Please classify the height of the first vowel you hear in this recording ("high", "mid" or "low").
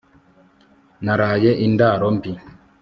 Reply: low